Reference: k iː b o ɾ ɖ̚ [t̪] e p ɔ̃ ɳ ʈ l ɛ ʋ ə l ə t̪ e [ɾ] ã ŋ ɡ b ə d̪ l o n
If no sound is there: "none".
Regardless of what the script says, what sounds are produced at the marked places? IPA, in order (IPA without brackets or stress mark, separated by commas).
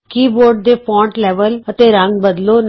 d̪, ɾ